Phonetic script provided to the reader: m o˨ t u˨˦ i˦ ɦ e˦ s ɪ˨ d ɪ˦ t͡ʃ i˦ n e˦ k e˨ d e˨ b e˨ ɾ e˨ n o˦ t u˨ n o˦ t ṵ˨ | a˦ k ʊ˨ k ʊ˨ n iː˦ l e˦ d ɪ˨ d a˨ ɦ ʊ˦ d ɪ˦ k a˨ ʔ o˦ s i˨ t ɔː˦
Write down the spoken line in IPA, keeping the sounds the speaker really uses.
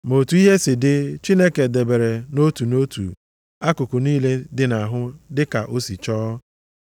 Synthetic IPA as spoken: m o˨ t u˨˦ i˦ ɦ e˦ s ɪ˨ d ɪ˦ t͡ʃ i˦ n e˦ k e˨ d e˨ b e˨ ɾ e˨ n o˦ t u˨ n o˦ t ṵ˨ | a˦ k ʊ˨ k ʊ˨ n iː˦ l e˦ d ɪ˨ n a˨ ɦ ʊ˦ d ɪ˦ k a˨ ʔ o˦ s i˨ t͡ʃ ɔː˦